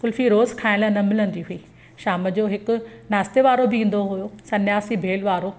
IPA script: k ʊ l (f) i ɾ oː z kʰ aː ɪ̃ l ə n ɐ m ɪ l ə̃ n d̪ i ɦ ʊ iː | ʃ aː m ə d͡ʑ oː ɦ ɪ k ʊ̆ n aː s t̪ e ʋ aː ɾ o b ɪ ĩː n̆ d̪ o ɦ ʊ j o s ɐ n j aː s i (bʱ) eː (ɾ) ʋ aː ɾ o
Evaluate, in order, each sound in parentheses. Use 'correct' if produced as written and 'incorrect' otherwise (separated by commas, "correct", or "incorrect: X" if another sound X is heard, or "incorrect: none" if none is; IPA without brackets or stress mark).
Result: correct, correct, incorrect: l